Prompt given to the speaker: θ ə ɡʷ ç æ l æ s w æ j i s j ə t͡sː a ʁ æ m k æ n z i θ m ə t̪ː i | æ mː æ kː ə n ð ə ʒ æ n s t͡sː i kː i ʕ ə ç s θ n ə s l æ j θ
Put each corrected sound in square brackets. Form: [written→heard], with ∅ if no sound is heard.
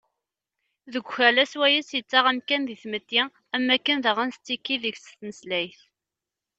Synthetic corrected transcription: [θ→ð] ə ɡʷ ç æ l æ s w æ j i s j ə t͡sː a ʁ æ m k æ n [z→ð] i θ m ə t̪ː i | æ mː æ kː ə n ð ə [ʒ→ʁ] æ n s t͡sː i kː i [ʕ→ð] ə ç s θ n ə s l æ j θ